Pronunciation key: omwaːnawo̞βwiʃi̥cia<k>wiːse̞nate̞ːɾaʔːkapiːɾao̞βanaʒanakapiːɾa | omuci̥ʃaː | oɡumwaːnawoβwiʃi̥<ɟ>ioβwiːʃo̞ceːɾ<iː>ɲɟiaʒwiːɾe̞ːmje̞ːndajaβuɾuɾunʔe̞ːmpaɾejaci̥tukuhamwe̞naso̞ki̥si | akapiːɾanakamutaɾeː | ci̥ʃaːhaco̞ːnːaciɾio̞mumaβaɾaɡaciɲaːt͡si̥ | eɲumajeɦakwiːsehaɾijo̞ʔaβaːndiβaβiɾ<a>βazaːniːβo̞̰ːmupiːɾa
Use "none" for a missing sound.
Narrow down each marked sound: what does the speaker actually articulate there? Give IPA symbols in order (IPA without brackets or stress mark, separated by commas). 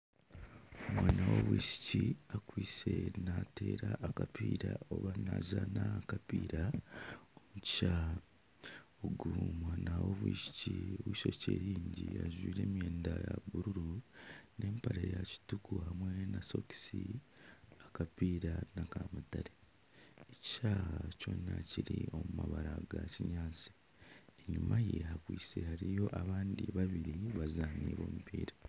k, c, iː, i